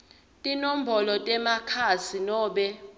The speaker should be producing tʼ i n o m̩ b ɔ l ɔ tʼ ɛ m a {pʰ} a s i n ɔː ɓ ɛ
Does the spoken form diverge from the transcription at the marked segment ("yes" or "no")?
yes